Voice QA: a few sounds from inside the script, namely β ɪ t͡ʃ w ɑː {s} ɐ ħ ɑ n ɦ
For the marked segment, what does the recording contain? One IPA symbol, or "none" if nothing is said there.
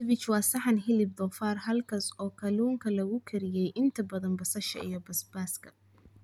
s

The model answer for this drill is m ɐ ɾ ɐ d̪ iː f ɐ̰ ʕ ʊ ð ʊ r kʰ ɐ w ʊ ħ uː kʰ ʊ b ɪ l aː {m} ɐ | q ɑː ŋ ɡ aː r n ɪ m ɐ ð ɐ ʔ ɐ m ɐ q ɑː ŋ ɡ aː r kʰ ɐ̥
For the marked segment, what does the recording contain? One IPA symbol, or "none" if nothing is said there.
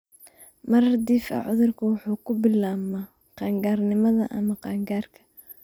m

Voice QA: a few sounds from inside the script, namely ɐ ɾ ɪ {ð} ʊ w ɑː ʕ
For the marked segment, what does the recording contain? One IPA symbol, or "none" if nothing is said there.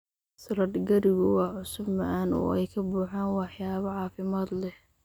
ɣ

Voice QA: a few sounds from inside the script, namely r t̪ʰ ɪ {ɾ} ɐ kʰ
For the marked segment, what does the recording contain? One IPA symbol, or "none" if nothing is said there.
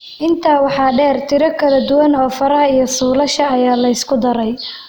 ɾ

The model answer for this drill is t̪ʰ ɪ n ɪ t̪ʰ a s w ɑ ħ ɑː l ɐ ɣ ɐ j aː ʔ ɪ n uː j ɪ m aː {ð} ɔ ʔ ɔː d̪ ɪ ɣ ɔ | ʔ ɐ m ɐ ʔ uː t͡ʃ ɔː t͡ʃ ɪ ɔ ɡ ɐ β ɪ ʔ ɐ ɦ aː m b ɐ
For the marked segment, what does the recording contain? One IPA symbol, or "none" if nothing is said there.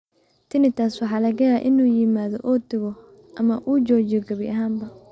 ð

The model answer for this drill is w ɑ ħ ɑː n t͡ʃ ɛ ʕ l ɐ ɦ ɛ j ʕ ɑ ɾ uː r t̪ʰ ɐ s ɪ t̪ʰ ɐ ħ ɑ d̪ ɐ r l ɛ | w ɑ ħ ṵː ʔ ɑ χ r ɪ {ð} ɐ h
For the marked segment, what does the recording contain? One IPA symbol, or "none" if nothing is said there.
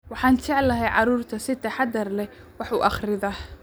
ð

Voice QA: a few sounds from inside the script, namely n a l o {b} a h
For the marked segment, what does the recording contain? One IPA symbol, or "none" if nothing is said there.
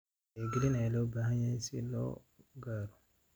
b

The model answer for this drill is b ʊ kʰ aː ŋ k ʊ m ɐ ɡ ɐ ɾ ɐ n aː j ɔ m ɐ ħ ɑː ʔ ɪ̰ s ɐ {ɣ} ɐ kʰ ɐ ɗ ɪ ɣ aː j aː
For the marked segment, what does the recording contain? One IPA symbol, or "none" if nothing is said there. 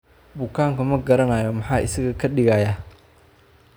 ɣ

